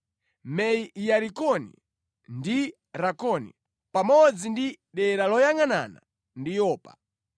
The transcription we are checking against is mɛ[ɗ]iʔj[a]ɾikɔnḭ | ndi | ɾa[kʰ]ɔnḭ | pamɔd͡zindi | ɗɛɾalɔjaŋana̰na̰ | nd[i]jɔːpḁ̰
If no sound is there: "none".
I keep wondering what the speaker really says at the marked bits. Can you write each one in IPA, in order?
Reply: none, a, k, i

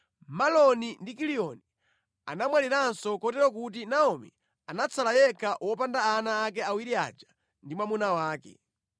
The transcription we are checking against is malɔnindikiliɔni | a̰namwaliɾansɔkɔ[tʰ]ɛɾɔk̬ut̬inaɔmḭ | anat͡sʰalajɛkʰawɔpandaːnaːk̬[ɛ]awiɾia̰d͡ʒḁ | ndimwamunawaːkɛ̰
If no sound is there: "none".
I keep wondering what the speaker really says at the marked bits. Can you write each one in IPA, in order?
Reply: t, ɛ

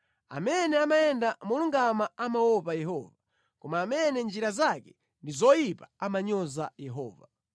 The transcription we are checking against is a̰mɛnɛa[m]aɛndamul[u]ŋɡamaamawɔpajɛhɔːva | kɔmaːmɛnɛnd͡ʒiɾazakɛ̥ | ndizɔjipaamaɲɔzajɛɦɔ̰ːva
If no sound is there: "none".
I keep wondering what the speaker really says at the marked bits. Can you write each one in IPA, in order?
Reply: m, u

